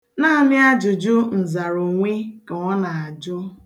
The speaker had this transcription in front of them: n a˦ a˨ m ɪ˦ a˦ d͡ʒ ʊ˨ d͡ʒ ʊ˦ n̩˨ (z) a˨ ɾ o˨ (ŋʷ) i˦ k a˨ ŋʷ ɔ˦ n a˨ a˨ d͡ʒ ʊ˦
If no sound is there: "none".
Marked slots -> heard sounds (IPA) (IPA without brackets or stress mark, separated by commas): z, ŋʷ